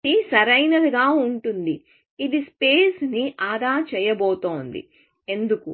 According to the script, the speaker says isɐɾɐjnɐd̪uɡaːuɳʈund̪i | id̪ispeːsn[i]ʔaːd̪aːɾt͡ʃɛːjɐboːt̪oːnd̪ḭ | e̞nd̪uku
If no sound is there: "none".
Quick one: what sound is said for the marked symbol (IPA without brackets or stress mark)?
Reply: i